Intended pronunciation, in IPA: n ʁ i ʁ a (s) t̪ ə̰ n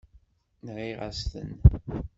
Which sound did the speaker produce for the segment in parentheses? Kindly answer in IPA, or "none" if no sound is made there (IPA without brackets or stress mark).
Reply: s